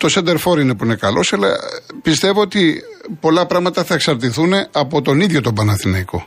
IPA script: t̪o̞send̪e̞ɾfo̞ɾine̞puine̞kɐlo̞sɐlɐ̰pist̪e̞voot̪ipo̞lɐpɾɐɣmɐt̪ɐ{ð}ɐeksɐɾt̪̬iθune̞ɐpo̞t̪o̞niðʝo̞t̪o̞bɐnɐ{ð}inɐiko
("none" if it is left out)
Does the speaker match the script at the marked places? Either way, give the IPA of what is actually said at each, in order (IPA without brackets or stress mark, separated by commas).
θ, θ